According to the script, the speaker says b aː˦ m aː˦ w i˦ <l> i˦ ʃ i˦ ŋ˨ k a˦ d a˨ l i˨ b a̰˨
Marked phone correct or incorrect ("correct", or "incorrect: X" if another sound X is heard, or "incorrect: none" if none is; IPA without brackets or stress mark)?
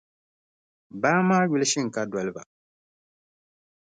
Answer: correct